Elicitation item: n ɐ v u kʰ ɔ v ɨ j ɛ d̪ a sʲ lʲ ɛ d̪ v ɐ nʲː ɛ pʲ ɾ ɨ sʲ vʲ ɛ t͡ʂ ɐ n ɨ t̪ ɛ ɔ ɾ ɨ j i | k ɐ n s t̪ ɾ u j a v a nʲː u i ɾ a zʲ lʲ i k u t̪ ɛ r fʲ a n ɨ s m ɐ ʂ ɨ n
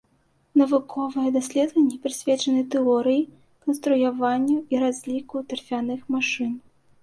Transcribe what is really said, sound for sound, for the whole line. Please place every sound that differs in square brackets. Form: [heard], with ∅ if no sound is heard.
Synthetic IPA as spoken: n ɐ v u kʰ ɔ v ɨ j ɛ d̪ a sʲ lʲ ɛ d̪ v ɐ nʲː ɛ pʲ ɾ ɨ sʲ vʲ ɛ t͡ʂ ɐ n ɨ t̪ ɛ ɔ ɾ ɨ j i | k ɐ n s t̪ ɾ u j a v a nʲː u i ɾ a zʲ lʲ i k u t̪ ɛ r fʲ a n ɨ [x] m [a] ʂ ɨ n